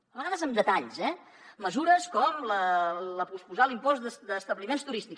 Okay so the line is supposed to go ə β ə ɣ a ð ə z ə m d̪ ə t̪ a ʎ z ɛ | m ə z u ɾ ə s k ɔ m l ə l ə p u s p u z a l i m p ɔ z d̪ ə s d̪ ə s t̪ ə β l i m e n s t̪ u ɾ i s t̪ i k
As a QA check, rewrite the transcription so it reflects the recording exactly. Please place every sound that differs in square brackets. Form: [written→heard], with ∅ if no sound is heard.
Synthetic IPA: ə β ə ɣ a ð ə z ə m d̪ ə t̪ a ʎ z ɛ | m ə z u ɾ ə s k ɔ m l ə l ə p u s p u z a l i m p ɔ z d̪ ə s d̪ ə s t̪ ə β l i m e n s t̪ u ɾ i s t̪ i k